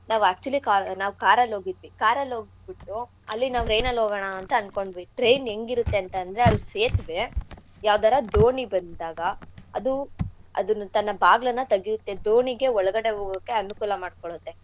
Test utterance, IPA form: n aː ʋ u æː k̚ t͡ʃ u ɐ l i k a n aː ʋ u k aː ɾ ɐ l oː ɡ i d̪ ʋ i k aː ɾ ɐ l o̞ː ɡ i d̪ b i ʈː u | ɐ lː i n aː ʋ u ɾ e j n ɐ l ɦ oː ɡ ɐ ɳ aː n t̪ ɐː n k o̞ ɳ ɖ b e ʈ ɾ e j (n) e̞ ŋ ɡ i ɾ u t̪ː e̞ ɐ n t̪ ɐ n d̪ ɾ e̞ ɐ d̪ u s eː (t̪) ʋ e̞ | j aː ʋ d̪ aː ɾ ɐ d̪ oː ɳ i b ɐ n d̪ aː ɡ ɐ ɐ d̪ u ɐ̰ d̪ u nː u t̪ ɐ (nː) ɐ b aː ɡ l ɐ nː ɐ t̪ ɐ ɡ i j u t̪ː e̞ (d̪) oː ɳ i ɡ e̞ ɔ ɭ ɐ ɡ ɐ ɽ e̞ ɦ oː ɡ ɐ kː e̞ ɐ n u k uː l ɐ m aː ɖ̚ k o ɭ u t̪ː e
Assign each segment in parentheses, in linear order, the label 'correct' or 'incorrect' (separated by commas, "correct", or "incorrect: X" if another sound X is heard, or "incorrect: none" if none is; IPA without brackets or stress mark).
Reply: correct, correct, correct, correct